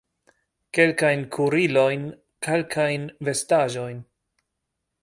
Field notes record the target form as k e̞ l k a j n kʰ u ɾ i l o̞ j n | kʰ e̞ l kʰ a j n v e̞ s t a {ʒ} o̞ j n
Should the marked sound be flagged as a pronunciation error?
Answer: no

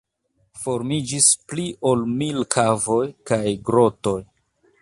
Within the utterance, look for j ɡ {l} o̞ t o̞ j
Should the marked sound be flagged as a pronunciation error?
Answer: yes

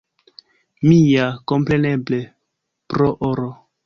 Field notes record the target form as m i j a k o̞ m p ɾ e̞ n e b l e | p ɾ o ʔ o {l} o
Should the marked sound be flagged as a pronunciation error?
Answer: yes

